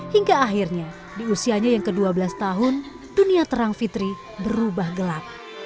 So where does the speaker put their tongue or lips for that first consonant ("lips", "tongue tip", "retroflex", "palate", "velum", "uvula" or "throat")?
throat